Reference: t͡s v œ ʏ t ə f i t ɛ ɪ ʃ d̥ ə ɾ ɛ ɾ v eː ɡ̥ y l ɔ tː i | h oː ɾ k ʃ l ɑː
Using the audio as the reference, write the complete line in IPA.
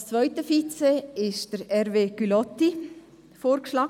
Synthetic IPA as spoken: t͡s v œ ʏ t ə f i t͡s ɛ ɪ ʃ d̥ ə ɾ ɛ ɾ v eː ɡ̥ y l ɔ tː i | f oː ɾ k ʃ l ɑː